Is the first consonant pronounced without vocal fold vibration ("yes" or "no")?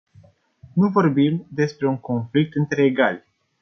no